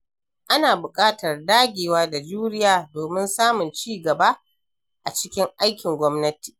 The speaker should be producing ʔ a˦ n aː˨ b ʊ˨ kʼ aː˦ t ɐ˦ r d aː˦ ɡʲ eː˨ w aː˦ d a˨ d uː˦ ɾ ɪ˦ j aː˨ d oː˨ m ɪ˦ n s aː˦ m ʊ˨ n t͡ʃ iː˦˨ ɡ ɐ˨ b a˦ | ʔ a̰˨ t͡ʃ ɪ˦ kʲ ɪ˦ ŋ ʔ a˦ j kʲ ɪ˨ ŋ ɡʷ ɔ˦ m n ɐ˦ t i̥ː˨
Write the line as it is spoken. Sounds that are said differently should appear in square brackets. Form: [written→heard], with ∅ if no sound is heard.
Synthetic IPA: ʔ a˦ n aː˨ b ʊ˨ kʼ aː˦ t [ɐ˦→ɐ˨] r d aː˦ ɡʲ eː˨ w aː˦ d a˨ [d→d͡ʒ] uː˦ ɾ ɪ˦ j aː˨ d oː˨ m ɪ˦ n s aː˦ m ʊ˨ n t͡ʃ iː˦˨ ɡ ɐ˨ b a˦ | ʔ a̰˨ t͡ʃ ɪ˦ kʲ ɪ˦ ŋ ʔ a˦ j kʲ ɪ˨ ŋ ɡʷ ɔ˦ m n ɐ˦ t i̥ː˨